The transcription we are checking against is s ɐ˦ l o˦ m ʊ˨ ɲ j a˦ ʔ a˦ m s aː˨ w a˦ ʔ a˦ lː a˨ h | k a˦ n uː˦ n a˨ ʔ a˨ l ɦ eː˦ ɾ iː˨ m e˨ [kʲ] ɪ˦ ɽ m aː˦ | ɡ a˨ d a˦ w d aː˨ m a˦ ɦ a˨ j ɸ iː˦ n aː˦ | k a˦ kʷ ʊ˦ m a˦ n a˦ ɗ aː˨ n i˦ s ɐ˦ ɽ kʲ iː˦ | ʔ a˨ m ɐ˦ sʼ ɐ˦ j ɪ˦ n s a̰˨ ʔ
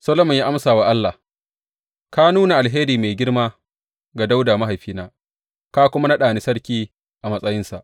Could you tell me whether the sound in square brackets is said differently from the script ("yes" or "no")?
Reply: yes